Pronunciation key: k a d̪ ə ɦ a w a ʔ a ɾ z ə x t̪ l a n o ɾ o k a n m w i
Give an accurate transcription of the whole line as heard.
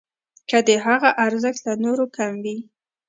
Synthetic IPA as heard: k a d̪ ə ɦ a ɣ a ʔ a ɾ z ə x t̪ l a n o ɾ o k a m w i